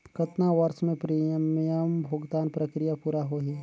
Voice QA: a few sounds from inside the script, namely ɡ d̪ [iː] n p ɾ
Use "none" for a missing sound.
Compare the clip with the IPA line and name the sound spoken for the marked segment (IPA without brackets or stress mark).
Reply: aː